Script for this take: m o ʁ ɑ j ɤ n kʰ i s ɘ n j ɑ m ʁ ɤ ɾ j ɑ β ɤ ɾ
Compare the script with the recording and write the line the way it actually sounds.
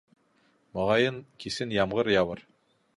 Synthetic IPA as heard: m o ʁ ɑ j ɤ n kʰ i s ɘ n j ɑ m ʁ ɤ ɾ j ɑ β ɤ ɾ